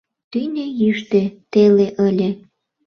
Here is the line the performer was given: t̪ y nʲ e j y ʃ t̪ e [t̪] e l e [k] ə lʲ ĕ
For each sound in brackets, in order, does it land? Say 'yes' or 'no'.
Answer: yes, no

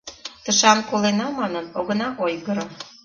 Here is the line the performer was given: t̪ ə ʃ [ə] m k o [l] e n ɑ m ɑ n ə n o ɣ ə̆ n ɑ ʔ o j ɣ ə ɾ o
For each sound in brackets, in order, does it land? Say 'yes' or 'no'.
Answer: no, yes

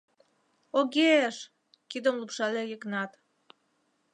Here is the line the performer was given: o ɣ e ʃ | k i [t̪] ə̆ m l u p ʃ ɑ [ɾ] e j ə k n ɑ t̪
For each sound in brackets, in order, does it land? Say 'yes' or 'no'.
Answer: no, no

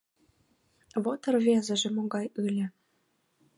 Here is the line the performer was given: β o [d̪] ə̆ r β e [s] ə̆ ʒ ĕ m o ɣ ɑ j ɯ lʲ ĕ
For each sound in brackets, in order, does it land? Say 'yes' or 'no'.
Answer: no, no

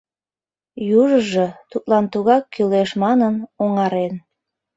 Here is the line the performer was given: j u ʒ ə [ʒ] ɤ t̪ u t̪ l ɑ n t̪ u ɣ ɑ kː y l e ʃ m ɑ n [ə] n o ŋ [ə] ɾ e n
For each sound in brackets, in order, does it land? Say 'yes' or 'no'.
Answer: yes, yes, no

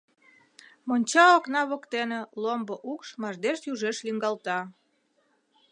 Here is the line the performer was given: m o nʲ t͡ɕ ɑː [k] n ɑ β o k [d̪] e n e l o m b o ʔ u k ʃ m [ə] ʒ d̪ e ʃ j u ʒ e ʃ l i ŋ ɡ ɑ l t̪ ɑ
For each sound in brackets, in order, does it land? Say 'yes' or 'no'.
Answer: yes, no, no

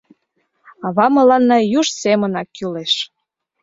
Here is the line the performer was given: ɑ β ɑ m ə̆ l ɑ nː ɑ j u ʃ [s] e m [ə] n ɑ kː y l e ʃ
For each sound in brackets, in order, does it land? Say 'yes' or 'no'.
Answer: yes, yes

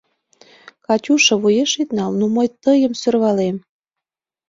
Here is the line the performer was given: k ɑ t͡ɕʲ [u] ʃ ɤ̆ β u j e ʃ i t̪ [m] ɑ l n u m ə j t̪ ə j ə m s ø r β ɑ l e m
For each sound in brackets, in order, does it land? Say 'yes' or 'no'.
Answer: yes, no

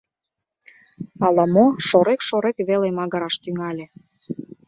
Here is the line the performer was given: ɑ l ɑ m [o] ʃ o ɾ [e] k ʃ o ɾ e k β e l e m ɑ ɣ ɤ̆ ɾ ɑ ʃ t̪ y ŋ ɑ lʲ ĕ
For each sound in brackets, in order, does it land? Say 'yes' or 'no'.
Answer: yes, yes

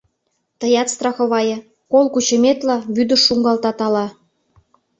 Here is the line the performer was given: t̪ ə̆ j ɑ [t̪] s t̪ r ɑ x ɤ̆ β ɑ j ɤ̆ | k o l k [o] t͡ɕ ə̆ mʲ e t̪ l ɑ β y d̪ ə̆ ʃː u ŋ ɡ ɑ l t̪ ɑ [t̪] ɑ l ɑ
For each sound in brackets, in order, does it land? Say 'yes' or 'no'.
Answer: yes, no, yes

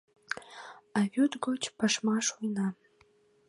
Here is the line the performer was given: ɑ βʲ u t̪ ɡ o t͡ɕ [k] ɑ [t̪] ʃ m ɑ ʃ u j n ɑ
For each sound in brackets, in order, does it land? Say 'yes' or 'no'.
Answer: no, no

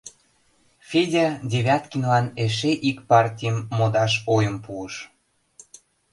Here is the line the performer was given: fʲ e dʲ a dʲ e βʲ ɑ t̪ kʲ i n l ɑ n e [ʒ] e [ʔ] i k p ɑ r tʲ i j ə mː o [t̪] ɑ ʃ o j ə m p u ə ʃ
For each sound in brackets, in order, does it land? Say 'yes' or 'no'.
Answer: no, yes, no

